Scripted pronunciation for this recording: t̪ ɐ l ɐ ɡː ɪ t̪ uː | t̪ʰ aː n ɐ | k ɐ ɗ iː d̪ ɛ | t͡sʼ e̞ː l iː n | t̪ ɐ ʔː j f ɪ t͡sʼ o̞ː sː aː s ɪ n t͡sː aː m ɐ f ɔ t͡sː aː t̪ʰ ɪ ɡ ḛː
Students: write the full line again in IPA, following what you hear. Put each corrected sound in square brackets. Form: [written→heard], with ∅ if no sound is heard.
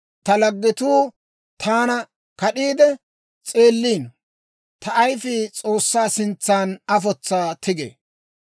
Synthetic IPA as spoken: t̪ ɐ l ɐ ɡː ɪ t̪ uː | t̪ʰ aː n ɐ | k ɐ ɗ iː d̪ ɛ | t͡sʼ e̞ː [l→lː] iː n | t̪ ɐ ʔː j f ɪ t͡sʼ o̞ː sː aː s ɪ n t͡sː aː [m→n] ɐ f ɔ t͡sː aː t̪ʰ ɪ ɡ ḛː